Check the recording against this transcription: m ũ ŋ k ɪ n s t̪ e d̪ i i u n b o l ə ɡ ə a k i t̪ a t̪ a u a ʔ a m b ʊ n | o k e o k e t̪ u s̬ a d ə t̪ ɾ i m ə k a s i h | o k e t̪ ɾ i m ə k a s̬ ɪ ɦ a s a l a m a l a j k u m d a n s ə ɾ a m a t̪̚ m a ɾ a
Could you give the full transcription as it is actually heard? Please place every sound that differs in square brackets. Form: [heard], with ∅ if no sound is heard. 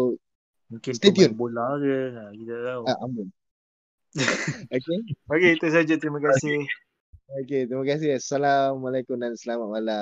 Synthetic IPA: m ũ ŋ k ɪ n s t̪ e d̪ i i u n b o l [a] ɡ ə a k i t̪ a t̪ a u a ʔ a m b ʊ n | o k e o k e t̪ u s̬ a [d͡ʒ] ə t̪ ɾ i m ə k a s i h | o k e t̪ ɾ i m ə k a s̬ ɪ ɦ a s a l a m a l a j k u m d a n s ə [l] a m a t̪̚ m a [l] a